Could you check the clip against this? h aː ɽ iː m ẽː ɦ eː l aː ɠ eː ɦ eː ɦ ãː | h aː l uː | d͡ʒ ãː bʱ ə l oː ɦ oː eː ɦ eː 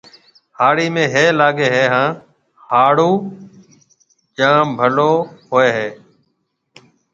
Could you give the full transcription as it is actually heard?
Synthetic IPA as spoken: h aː ɽ iː m ẽː ɦ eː l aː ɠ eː ɦ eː ɦ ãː | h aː ɽ uː | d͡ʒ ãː bʱ ə l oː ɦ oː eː ɦ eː

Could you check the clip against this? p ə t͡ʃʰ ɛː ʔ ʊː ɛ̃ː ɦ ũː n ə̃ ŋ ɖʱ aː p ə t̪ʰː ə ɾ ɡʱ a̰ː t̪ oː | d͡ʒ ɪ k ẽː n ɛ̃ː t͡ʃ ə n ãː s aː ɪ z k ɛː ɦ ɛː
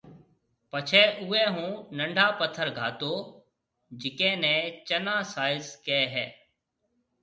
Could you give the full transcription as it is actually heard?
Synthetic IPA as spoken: p ə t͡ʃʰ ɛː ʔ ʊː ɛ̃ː ɦ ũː n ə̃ ɳ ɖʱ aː p ə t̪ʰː ə ɾ ɡʱ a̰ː t̪ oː | d͡ʒ ɪ k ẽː n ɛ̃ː t͡ʃ ə n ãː s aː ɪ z k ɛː ɦ ɛː

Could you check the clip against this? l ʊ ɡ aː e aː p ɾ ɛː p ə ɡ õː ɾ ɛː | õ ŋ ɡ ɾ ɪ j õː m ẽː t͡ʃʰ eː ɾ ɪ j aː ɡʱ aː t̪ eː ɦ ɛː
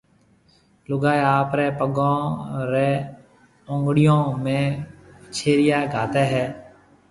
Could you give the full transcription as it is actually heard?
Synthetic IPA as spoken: l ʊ ɡ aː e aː p ɾ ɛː p ə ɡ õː ɾ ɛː | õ ŋ ɡ ɽ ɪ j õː m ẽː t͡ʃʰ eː ɾ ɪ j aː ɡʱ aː t̪ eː ɦ ɛː

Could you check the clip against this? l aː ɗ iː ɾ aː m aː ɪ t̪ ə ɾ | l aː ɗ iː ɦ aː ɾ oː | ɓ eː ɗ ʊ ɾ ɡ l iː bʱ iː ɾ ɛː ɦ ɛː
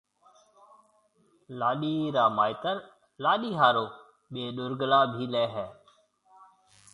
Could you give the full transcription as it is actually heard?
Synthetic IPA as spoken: l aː ɗ iː ɾ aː m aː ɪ t̪ ə ɾ | l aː ɗ iː ɦ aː ɾ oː | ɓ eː ɗ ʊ ɾ ɡ l aː bʱ iː l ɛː ɦ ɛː

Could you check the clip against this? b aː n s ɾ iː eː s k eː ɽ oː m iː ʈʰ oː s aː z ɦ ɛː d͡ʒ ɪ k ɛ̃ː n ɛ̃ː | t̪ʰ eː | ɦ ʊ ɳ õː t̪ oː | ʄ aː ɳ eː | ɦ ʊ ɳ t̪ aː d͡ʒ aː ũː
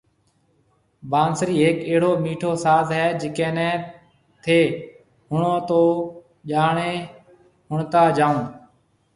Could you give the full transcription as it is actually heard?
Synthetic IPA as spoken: b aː n s ɾ iː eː k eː ɽ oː m iː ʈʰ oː s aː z ɦ ɛː d͡ʒ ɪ k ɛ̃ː n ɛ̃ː | t̪ʰ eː | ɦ ʊ ɳ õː t̪ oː | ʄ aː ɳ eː | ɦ ʊ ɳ t̪ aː d͡ʒ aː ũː

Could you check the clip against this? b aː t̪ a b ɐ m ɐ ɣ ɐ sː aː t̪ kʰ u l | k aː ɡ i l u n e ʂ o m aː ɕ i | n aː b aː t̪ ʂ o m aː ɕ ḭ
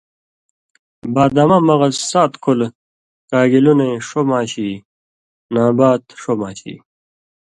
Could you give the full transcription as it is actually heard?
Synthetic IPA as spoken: b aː d̪ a m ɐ m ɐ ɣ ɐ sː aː t̪ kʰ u l | k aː ɡ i l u n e ʂ o m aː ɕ i | n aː b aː t̪ ʂ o m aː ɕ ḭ

